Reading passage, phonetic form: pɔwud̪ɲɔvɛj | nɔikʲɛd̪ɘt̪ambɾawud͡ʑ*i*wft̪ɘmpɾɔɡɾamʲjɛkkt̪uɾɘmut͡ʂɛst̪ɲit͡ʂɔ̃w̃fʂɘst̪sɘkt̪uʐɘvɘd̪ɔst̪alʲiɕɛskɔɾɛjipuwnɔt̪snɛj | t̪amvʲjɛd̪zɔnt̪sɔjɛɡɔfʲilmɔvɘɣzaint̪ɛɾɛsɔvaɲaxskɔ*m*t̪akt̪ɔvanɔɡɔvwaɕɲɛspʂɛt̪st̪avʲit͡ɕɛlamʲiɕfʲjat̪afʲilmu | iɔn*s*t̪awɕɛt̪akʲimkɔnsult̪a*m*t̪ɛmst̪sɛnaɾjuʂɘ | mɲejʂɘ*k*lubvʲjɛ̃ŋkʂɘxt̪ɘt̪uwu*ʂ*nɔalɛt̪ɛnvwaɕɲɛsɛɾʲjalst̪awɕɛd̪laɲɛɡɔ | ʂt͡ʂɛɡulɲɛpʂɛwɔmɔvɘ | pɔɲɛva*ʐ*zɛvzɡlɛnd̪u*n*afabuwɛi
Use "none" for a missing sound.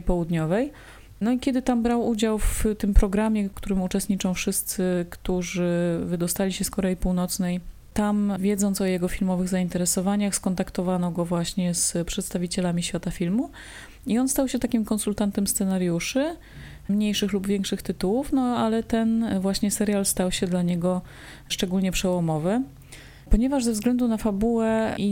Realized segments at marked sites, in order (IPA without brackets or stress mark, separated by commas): a, n, s, n, x, f, ʐ, n